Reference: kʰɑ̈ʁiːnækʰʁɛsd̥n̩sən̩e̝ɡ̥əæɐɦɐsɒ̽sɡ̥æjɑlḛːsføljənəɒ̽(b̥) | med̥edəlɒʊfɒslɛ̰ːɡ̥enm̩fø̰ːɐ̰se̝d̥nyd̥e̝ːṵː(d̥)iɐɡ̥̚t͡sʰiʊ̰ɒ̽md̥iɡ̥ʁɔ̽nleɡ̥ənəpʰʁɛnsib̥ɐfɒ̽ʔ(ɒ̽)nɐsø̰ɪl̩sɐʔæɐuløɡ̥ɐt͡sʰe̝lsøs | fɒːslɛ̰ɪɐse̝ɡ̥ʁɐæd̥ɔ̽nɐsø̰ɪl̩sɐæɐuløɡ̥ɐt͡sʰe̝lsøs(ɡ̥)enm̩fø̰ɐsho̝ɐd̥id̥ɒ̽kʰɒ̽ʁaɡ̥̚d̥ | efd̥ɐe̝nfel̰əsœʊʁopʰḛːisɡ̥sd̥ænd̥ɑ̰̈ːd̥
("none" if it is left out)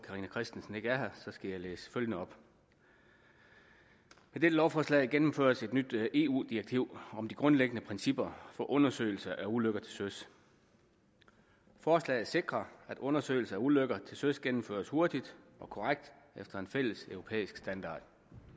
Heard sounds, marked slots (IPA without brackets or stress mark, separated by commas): b̥, d̥, ɔ̽, ɡ̥